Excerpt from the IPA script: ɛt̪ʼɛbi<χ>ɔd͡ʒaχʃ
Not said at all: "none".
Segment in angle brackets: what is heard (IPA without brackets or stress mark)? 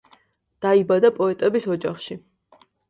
s